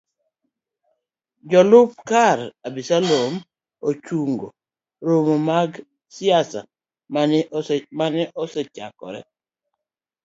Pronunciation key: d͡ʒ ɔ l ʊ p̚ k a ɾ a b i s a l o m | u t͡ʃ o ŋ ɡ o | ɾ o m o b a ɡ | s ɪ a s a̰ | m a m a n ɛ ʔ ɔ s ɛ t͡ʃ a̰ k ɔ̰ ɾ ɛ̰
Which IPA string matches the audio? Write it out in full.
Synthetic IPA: d͡ʒ ɔ l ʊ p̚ k a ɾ a b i s a l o m | o t͡ʃ u ŋ ɡ o | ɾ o m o m a ɡ | s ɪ a s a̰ | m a m a n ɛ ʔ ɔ s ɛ t͡ʃ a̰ k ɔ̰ ɾ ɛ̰